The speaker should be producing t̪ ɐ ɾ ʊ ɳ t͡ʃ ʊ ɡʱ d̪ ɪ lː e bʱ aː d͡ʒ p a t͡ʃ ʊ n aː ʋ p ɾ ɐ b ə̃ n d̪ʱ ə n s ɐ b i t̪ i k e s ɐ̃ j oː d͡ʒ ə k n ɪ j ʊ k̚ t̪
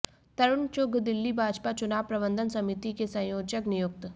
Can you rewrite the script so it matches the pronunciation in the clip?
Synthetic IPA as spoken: t̪ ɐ ɾ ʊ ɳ t͡ʃ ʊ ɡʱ d̪ ɪ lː i bʱ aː d͡ʒ p a t͡ʃ ʊ n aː ʋ p ɾ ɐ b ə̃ n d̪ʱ ə n s ɐ m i t̪ i k e s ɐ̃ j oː d͡ʒ ə k n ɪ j ʊ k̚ t̪